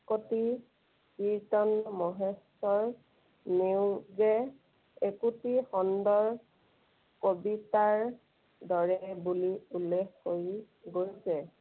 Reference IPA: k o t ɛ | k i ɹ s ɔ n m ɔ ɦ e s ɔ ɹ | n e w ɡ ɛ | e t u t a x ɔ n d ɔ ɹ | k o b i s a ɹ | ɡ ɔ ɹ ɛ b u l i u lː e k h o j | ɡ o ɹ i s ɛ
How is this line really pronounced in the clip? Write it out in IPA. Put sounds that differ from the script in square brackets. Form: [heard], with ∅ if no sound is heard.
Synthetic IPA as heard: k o t [i] | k i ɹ [t] ɔ n m ɔ ɦ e s ɔ ɹ | n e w ɡ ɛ | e [k] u t [i] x ɔ n d ɔ ɹ | k o b i [t] a ɹ | [d] ɔ ɹ ɛ b u l i u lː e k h o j | ɡ o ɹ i s ɛ